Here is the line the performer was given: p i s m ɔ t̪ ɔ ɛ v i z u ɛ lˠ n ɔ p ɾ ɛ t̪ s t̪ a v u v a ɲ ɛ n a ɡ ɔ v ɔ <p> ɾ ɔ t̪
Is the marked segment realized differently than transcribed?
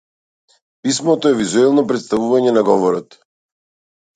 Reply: yes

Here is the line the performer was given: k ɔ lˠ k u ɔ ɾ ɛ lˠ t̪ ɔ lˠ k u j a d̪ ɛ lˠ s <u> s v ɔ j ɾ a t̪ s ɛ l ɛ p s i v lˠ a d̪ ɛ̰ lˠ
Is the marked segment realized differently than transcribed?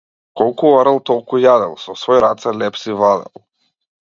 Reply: yes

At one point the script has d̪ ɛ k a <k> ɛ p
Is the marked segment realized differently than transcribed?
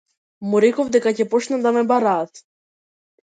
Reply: yes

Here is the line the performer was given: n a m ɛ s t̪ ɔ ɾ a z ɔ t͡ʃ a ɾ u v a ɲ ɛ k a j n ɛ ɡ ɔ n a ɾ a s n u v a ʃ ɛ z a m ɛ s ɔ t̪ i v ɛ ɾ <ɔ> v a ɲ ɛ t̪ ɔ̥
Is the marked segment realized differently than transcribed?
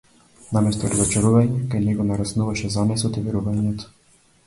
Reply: yes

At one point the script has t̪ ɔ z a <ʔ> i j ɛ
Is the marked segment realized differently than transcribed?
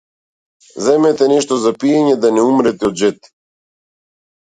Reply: yes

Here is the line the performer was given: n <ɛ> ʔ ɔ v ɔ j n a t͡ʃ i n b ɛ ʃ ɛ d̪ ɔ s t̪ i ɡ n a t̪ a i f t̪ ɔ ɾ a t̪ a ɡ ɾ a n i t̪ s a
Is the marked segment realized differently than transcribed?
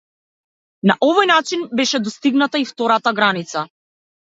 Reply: yes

